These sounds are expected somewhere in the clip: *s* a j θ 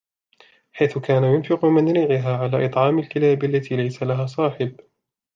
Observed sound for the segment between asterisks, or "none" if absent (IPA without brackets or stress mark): ħ